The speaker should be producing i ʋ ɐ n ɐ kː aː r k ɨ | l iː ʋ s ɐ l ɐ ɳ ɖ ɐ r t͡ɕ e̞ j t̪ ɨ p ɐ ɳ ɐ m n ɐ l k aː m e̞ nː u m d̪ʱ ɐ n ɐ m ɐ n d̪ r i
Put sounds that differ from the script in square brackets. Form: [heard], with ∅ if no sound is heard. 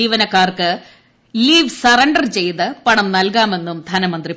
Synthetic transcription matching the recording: [iː] ʋ ɐ n ɐ kː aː r k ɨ | l iː ʋ s ɐ [r] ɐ ɳ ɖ ɐ r t͡ɕ e̞ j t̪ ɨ p ɐ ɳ ɐ m n ɐ l k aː m e̞ nː u m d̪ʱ ɐ n ɐ m ɐ n d̪ r i